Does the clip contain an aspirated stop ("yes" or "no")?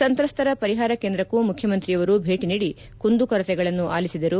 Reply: yes